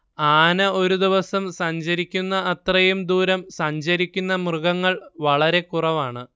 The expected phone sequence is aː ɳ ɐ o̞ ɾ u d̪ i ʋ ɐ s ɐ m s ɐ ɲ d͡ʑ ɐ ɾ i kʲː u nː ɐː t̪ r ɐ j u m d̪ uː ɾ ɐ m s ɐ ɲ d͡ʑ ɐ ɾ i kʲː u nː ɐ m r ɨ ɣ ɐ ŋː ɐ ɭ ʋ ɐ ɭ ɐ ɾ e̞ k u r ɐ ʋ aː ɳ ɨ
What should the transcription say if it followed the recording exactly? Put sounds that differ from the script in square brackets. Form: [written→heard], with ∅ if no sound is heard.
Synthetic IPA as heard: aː [ɳ→n] ɐ o̞ ɾ u d̪ i ʋ ɐ s ɐ m s ɐ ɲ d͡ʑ ɐ ɾ i kʲː u nː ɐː t̪ r ɐ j u m d̪ uː ɾ ɐ m s ɐ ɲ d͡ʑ ɐ ɾ i kʲː u nː ɐ m r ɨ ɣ ɐ ŋː ɐ ɭ ʋ ɐ ɭ ɐ ɾ e̞ k u r ɐ ʋ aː ɳ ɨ